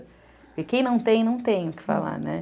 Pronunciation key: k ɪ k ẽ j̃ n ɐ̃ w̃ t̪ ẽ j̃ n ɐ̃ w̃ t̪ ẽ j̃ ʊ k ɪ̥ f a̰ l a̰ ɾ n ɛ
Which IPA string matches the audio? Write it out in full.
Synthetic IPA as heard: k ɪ k ẽ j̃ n ɐ̃ w̃ t̪ ẽ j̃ n ɐ̃ w̃ t̪ ẽ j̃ ʊ k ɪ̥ f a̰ l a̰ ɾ n ɛ